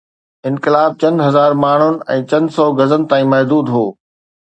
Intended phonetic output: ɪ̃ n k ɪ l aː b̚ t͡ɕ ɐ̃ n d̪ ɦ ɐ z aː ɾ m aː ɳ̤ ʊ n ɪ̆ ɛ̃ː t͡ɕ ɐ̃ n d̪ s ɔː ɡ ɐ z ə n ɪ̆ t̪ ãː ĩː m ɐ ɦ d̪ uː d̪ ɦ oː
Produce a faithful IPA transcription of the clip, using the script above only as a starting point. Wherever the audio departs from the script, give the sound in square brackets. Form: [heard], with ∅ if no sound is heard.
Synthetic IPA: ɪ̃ n k ɪ l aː b̚ t͡ɕ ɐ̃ n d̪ ɦ ɐ z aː ɾ m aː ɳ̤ ʊ n ɪ̆ ɛ̃ː t͡ɕ ɐ̃ n d̪ s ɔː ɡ ɐ z ə n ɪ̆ t̪ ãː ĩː m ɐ ɦ d̪ uː d̪ ɦ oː